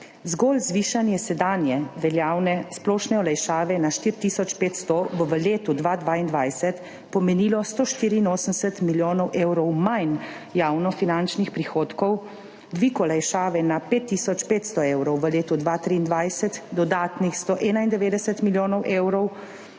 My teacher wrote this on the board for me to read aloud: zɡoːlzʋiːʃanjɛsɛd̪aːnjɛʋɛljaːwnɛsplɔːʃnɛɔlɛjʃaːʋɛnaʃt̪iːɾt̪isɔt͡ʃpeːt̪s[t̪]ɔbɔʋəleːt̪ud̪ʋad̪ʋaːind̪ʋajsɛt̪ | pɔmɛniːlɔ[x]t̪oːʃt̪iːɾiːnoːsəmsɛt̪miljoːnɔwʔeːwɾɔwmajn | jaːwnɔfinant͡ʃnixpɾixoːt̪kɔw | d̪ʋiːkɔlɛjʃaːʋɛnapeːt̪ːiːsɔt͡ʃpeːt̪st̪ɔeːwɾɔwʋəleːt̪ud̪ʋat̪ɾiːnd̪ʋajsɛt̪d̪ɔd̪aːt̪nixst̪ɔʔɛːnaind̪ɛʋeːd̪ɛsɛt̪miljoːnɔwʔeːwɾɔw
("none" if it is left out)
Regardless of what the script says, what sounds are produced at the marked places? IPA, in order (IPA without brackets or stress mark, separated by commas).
t̪, s